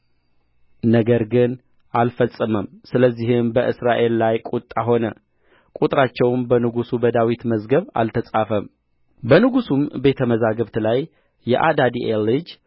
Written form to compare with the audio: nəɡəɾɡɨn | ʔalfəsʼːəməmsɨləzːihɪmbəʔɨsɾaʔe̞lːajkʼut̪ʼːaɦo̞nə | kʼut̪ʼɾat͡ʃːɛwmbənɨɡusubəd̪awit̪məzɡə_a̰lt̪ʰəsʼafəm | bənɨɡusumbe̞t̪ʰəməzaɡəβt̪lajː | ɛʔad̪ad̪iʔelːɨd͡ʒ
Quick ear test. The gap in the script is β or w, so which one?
β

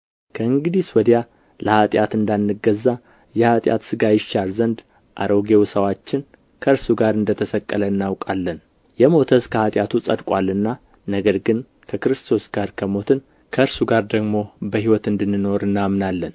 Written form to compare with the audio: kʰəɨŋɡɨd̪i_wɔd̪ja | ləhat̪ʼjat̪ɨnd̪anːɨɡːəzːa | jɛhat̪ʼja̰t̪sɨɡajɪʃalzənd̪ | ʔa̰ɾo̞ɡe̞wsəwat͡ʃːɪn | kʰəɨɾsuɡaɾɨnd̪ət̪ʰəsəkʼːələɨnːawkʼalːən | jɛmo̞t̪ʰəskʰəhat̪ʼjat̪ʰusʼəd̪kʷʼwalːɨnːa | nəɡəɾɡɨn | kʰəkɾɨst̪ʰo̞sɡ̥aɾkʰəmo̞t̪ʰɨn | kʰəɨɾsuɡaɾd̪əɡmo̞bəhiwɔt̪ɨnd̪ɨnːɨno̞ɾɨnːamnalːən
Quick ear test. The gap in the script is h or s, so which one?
s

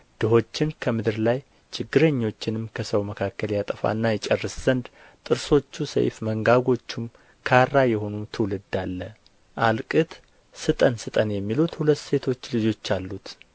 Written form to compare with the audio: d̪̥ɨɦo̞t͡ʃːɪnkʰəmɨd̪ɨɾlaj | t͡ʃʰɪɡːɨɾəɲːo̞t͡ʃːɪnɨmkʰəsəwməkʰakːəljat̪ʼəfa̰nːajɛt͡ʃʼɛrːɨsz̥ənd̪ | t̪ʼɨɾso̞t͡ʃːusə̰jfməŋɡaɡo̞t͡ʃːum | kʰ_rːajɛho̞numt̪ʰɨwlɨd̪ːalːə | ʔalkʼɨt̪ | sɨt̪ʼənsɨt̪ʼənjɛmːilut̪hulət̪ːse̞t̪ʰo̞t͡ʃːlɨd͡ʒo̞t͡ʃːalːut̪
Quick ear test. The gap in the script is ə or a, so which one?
a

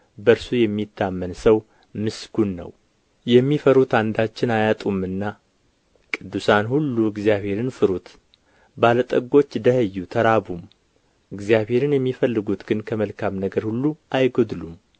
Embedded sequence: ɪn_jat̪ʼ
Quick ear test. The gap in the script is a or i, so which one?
a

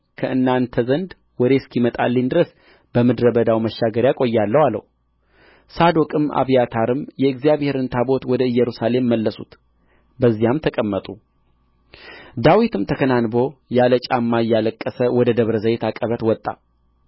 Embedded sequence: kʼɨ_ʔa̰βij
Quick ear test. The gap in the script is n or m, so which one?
m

